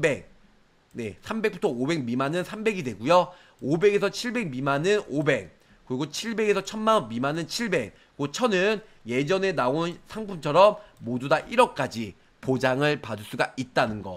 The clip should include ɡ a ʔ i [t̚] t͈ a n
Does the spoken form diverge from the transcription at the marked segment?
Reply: no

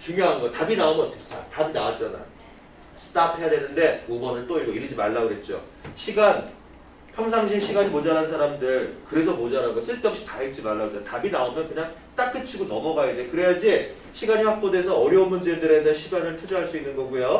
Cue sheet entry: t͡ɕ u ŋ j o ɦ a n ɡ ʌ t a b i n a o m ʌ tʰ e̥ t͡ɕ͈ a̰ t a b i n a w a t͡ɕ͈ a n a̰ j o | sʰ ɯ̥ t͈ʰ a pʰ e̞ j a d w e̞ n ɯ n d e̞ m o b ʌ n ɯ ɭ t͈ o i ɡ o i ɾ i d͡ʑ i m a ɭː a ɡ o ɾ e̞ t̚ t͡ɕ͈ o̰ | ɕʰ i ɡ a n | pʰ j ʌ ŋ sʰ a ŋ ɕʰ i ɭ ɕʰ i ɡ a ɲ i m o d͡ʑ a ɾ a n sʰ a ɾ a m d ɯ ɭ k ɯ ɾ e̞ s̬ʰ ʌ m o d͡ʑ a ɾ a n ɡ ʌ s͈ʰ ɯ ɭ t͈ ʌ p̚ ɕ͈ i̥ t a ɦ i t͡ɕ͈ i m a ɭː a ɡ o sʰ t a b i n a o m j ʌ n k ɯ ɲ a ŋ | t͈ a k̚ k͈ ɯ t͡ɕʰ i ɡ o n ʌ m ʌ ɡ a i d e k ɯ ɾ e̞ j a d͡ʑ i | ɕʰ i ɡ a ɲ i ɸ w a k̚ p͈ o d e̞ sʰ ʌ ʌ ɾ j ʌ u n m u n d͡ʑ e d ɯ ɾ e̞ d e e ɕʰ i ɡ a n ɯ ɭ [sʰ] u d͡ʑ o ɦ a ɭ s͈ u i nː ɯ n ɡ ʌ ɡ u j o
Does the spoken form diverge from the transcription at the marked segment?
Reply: yes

